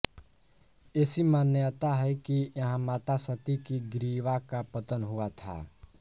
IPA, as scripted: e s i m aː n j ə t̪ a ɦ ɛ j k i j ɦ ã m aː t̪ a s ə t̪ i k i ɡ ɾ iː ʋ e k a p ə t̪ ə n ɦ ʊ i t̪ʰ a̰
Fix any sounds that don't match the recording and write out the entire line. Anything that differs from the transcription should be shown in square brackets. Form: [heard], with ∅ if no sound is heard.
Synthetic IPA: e s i m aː n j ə t̪ a ɦ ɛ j k i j ɦ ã m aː t̪ a s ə t̪ i k i ɡ ɾ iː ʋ [a] k a p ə t̪ ə n ɦ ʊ [a] t̪ʰ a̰